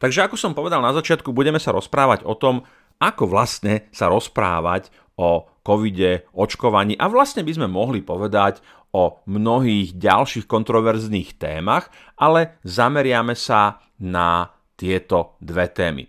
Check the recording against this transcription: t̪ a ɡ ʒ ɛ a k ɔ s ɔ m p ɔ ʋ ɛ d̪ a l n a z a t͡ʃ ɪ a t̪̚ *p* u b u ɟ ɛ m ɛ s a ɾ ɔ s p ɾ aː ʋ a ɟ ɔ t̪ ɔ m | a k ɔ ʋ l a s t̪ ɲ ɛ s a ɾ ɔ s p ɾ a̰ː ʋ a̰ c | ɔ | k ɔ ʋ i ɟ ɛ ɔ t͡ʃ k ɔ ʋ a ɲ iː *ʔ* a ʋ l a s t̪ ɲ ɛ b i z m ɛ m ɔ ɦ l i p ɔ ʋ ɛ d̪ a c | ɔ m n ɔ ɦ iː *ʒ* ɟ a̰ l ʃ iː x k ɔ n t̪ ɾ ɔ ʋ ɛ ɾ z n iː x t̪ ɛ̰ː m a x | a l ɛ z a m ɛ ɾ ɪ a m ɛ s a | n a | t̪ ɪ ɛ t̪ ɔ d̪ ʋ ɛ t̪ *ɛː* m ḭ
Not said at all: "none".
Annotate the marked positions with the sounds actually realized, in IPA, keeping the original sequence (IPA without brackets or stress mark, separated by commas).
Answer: k, ʔ, ɣ, ɛː